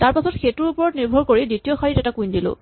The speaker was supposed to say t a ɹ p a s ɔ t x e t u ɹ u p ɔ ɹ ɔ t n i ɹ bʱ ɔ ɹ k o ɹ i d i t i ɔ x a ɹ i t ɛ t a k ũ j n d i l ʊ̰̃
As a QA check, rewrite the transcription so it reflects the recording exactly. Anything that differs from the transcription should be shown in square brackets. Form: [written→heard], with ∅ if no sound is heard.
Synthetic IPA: t a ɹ p a s ɔ t x e t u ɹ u p ɔ ɹ ɔ t n i ɹ bʱ ɔ ɹ k o ɹ i d i t i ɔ x a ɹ i t ɛ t a k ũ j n d i l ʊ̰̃

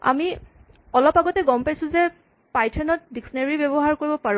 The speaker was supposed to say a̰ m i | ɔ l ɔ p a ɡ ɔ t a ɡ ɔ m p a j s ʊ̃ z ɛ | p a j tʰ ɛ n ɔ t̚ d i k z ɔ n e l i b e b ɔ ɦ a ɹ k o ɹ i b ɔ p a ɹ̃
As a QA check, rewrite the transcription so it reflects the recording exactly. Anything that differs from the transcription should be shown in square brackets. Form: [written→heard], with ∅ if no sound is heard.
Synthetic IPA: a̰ m i | ɔ l ɔ p a ɡ ɔ t [a→ɛ] ɡ ɔ m p a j s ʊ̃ z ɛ | p a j tʰ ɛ n ɔ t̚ d i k [z→s] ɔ n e [l→ɹ] i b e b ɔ ɦ a ɹ k o ɹ i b ɔ p a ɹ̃

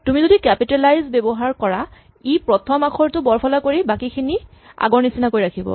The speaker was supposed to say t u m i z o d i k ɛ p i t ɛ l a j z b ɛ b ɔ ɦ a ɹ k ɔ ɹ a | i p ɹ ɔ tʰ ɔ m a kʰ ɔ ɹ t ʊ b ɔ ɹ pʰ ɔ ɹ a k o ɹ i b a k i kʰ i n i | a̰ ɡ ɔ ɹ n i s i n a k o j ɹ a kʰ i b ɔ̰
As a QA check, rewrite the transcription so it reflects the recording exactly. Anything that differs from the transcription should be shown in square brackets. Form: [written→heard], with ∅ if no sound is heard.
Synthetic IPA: t u m i z o d i k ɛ p i t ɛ l a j z b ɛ b ɔ ɦ a ɹ k ɔ ɹ a | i p ɹ ɔ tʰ ɔ m a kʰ ɔ ɹ t ʊ b ɔ ɹ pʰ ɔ [ɹ→l] a k o ɹ i b a k i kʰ i n i | a̰ ɡ ɔ ɹ n i s i n a k o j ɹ a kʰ i b ɔ̰

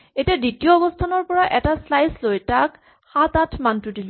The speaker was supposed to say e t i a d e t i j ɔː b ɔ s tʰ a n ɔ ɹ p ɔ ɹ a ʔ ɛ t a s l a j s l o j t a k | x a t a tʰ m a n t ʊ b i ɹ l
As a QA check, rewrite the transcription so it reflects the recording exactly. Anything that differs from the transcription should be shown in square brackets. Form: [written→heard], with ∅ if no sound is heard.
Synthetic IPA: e t i a d [e→i] t i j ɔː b ɔ s tʰ a n ɔ ɹ p ɔ ɹ a ʔ ɛ t a s l a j s l o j t a k | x a t a tʰ m a n t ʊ [b→d] i [ɹ→∅] l

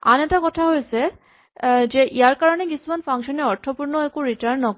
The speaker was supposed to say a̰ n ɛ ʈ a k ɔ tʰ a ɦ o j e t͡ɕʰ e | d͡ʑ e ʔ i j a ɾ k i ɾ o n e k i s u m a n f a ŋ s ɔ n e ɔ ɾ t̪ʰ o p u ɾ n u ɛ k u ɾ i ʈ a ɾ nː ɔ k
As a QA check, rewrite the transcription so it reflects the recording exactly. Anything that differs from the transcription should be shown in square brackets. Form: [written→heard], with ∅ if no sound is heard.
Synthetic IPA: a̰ n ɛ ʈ a k ɔ tʰ a ɦ o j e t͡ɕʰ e | d͡ʑ e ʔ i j a ɾ k [i→a] ɾ o n e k i s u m a n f a ŋ [s→ʃ] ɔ n e ɔ ɾ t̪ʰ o p u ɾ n [u→o] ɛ k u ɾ i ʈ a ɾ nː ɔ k

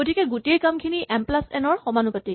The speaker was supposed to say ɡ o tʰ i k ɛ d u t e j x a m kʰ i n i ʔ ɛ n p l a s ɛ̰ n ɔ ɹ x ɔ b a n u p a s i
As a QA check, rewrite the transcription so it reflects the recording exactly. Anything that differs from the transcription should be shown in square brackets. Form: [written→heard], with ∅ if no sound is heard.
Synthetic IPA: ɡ o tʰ i k ɛ [d→ɡ] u t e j [x→k] a m kʰ i n i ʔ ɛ [n→m] p l a s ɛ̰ n ɔ ɹ x ɔ [b→m] a n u p a [s→t] i

